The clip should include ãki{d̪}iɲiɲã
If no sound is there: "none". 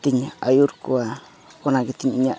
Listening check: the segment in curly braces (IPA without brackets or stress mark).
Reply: t̪